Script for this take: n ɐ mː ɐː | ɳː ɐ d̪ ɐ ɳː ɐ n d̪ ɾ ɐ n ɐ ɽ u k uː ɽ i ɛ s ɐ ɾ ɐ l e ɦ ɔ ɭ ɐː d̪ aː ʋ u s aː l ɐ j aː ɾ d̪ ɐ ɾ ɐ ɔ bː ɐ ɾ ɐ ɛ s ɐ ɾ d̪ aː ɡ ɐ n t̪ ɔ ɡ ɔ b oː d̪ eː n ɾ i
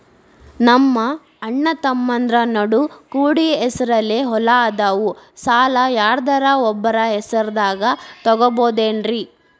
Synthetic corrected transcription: n ɐ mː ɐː | ɳː ɐ t̪ ɐ mː ɐ n d̪ ɾ ɐ n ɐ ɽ u k uː ɽ i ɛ s ɐ ɾ ɐ l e ɦ ɔ l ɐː d̪ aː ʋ u s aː l ɐ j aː ɾ d̪ ɐ ɾ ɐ ɔ bː ɐ ɾ ɐ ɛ s ɐ ɾ d̪ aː ɡ ɐ t̪ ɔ ɡ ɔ b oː d̪ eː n ɾ i